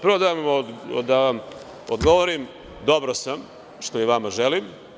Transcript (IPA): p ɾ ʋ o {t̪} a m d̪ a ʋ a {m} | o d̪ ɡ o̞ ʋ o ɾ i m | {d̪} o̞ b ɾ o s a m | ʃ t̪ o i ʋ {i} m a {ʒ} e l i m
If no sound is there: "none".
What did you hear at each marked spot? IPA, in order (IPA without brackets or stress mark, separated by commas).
d̪, m, d̪, a, ʒ